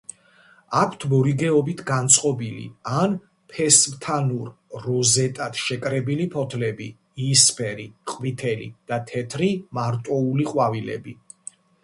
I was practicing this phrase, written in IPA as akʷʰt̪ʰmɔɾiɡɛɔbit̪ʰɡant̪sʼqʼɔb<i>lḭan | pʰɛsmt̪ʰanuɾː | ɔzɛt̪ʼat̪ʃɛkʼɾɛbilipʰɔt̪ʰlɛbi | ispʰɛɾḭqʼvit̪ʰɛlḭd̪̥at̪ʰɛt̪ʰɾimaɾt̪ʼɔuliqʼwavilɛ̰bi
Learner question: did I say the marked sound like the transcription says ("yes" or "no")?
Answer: yes